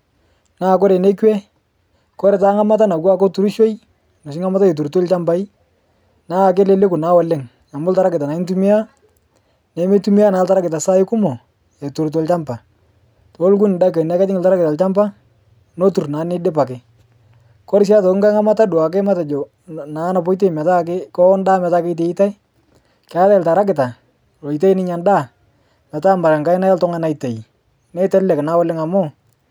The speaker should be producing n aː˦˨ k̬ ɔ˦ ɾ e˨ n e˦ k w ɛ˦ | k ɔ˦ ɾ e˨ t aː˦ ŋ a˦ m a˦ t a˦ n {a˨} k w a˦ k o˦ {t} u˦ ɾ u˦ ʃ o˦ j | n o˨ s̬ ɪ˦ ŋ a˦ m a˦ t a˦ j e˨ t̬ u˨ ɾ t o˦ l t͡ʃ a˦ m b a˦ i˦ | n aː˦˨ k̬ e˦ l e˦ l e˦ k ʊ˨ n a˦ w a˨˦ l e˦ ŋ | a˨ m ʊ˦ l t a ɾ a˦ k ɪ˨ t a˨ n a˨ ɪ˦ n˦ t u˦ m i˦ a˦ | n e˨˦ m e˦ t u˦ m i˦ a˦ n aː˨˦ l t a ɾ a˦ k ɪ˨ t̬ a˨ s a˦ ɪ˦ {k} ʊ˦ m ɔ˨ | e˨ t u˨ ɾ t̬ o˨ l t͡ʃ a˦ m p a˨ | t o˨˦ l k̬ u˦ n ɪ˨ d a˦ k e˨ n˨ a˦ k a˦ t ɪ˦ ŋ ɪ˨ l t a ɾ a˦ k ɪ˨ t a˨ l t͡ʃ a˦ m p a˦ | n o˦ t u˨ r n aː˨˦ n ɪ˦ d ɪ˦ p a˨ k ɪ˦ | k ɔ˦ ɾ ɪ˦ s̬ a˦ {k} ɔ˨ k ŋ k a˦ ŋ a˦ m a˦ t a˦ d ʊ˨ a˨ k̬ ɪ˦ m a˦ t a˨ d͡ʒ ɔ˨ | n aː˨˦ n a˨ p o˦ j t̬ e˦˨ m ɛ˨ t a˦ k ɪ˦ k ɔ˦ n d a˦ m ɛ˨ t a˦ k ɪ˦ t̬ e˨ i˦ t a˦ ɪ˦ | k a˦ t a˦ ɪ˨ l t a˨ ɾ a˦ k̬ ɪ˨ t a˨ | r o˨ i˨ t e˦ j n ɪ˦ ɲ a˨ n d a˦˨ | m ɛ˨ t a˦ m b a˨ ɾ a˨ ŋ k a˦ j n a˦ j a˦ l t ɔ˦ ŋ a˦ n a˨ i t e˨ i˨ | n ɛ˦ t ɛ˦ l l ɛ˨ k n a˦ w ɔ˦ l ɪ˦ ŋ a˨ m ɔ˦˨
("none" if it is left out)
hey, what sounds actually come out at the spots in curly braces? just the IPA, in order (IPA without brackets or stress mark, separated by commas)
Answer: a˨, t, k, t